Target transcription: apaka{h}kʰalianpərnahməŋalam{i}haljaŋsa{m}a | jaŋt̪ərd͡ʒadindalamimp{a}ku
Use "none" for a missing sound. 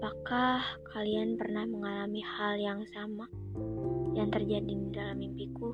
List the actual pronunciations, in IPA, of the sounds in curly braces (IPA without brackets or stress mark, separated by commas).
h, i, m, i